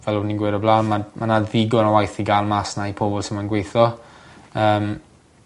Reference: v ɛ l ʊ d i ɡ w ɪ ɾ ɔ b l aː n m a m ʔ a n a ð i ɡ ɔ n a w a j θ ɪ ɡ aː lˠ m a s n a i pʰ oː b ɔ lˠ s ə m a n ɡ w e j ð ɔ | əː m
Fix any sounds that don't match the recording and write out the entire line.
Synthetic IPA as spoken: v ɛ l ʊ n i ɡ w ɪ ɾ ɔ b l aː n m a m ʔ a n a ð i ɡ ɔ n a w a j θ i ɡ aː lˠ m a s n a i pʰ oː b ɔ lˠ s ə m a n ɡ w e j θ ɔ | əː m